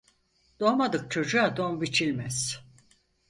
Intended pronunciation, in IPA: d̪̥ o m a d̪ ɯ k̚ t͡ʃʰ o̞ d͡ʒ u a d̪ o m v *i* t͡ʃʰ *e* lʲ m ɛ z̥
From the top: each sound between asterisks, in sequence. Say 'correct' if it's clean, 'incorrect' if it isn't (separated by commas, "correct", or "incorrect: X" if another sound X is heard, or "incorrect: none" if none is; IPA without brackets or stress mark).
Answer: correct, incorrect: i